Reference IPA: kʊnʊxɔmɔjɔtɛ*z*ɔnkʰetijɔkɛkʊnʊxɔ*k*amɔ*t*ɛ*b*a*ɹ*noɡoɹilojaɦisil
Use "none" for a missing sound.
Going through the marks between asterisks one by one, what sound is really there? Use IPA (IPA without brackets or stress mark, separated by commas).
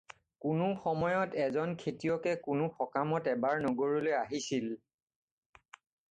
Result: z, k, t, b, ɹ